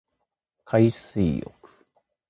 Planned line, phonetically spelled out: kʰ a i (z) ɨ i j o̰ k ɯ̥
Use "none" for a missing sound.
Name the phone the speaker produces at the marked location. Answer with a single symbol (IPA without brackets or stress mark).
s